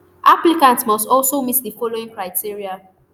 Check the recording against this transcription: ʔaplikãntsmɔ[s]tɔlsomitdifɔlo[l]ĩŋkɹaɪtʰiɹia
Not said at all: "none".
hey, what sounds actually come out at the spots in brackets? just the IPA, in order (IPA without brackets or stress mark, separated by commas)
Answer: s, none